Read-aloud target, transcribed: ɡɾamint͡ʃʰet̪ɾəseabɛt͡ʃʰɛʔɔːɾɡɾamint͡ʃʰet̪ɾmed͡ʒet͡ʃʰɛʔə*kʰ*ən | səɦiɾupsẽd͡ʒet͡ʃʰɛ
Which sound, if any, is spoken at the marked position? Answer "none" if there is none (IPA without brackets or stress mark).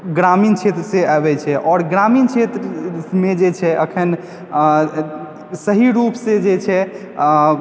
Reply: kʰ